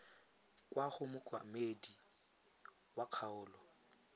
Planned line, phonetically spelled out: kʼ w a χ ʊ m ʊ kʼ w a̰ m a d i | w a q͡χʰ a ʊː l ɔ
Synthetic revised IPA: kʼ w a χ ʊ m ʊ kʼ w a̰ m e d i | w a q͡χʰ a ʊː l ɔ